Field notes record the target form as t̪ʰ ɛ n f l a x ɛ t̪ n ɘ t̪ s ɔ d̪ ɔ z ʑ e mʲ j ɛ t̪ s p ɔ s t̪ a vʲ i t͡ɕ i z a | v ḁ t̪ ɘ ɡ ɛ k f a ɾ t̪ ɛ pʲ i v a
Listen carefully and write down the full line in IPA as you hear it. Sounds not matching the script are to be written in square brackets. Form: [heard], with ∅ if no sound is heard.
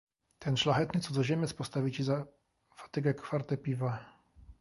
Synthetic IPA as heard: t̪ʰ ɛ n [ʂ] l a x ɛ t̪ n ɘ t̪ s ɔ d̪ ɔ [∅] ʑ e mʲ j ɛ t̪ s p ɔ s t̪ a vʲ i t͡ɕ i z a | [f] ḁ t̪ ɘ ɡ ɛ k f a ɾ t̪ ɛ pʲ i v a